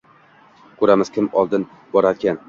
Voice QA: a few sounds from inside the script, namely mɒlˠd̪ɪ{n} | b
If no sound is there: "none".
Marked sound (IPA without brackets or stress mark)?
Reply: n